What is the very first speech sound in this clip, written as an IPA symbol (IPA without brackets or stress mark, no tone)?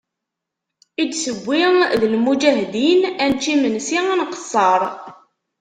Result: i